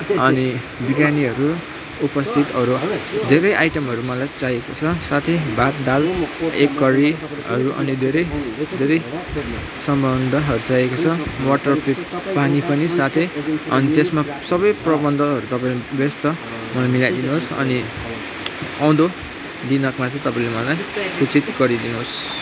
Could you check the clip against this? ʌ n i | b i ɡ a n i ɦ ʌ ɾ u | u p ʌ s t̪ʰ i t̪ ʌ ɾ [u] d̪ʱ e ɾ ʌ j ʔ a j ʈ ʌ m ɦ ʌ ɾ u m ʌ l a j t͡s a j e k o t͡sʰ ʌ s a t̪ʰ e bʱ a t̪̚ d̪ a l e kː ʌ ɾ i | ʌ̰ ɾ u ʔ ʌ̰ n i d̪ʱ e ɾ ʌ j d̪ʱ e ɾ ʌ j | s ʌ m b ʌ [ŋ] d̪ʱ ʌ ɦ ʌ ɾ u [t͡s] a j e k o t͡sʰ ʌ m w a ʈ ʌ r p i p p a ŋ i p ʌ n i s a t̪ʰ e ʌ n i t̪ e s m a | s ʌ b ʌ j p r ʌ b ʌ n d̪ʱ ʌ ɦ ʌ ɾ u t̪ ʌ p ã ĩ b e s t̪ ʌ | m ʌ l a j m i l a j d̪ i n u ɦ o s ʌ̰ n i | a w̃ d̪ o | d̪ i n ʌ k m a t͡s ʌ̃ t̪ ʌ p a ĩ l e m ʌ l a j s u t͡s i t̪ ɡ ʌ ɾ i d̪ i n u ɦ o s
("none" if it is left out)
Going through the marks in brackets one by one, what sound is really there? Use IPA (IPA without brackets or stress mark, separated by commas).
u, n, t͡s